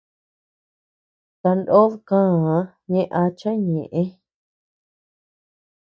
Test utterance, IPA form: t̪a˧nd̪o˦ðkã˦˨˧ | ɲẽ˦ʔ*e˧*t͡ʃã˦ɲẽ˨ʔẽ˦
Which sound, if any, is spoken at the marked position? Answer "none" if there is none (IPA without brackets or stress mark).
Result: a˧